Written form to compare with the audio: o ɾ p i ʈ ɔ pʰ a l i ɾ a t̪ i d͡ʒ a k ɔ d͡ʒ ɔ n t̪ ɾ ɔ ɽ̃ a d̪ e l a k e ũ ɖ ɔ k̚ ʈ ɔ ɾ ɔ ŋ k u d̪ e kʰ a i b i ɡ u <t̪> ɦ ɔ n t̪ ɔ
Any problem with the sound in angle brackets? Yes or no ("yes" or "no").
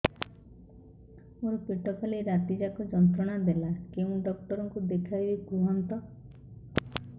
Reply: yes